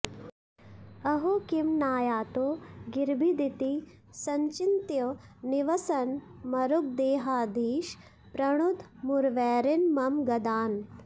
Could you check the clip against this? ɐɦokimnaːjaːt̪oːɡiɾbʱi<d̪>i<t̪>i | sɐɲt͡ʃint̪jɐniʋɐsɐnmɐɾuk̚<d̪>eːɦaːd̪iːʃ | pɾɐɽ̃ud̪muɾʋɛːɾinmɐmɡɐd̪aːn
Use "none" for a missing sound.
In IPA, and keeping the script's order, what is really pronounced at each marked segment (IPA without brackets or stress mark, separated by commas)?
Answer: d̪, t̪, d̪